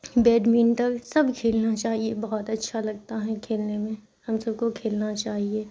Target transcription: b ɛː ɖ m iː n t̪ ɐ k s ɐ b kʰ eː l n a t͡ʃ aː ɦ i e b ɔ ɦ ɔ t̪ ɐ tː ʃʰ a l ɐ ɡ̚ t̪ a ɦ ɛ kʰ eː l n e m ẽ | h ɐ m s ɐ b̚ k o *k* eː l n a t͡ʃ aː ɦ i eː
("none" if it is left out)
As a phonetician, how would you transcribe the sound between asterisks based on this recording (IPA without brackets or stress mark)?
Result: kʰ